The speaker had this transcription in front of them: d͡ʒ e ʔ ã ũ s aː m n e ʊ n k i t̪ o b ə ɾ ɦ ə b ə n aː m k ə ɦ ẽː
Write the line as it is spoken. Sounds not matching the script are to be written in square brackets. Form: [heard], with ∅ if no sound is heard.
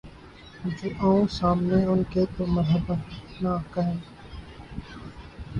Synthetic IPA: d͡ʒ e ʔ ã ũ s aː m n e ʊ n k [e] t̪ o [m] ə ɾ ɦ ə b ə n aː [∅] k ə ɦ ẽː